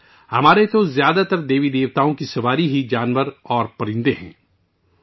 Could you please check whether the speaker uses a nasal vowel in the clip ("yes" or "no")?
yes